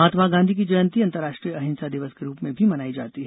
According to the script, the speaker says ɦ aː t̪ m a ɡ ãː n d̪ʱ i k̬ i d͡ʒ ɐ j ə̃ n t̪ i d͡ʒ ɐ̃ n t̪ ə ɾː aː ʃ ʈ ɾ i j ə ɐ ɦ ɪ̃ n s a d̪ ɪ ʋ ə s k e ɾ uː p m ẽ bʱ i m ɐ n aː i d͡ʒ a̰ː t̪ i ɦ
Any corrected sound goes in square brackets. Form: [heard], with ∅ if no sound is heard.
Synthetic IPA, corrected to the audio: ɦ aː t̪ m a ɡ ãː n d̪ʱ i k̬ i d͡ʒ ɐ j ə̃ n t̪ i [∅] ɐ̃ n t̪ ə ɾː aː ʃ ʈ ɾ i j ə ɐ ɦ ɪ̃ n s a d̪ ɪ ʋ ə s k e ɾ uː p m ẽ bʱ i m ɐ n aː i d͡ʒ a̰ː t̪ i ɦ